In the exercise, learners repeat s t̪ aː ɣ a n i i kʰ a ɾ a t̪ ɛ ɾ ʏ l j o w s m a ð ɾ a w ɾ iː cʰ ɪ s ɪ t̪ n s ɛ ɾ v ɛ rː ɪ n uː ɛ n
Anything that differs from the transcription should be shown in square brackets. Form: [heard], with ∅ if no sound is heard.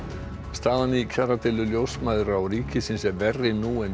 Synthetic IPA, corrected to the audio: s t̪ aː [ð] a n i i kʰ a ɾ a t̪ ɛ [l] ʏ l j o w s m a ð ɾ a w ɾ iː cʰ ɪ s ɪ [∅] n s ɛ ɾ v ɛ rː ɪ n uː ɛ n